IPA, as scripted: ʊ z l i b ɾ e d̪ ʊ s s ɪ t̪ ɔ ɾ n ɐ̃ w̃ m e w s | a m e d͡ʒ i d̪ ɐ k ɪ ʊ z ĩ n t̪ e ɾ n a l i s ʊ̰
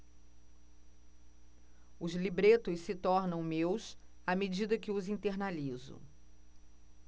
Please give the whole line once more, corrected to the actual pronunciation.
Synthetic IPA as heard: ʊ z l i b ɾ e t̪ ʊ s s ɪ t̪ ɔ ɾ n ɐ̃ w̃ m e w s | a m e d͡ʒ i d̪ ɐ k ɪ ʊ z ĩ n t̪ e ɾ n a l i z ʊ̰